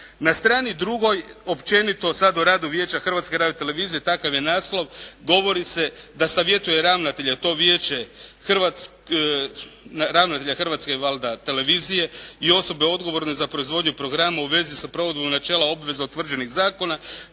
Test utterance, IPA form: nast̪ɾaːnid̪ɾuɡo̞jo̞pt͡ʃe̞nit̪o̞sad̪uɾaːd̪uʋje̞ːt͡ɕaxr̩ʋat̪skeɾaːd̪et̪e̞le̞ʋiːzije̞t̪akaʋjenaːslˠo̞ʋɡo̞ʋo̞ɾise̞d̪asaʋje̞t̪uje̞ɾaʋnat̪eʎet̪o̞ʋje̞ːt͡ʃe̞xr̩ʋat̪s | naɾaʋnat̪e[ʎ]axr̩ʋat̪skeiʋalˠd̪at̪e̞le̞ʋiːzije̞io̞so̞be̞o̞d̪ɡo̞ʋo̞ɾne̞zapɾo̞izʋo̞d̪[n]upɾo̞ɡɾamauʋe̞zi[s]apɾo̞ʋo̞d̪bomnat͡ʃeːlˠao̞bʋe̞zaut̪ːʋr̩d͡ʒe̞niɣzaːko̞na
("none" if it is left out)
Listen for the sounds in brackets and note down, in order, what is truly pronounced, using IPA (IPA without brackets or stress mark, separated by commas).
ʎ, ɲ, s